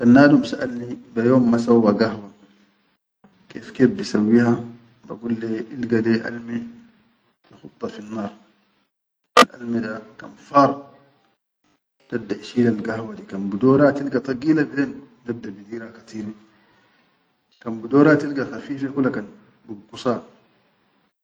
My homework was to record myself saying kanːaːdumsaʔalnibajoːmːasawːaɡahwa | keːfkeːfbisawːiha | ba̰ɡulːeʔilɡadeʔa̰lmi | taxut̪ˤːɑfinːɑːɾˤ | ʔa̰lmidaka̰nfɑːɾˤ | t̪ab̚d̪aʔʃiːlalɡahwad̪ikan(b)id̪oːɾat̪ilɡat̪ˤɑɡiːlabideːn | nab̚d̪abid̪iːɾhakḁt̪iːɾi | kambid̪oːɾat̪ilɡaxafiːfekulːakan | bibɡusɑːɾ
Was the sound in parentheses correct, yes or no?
yes